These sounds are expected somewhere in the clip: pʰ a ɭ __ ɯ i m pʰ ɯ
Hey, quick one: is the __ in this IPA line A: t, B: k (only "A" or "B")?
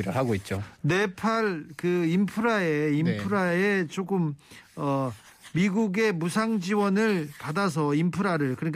B